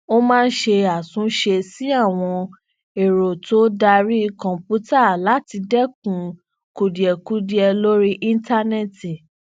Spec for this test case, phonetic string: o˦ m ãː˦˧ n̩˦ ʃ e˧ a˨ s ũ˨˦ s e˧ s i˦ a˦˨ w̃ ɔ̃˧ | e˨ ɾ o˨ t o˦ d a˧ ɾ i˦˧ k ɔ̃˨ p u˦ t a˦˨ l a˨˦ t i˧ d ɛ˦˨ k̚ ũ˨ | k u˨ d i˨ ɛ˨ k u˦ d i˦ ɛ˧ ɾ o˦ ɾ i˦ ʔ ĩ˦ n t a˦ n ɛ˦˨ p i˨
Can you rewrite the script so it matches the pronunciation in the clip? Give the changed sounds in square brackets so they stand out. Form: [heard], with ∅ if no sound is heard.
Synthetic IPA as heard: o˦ m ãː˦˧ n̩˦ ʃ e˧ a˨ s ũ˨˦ [ʃ] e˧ s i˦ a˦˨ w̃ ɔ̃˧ | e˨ ɾ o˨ t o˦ d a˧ ɾ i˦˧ k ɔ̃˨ p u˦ t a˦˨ l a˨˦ t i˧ d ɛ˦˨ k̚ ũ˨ | k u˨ d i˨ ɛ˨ k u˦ d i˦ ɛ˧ [l] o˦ ɾ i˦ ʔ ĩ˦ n t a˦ n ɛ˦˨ [t] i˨